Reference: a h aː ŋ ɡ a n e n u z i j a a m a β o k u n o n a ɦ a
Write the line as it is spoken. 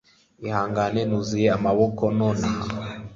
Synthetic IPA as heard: i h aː ŋ ɡ a n e n u z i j e a m a β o k o n o n a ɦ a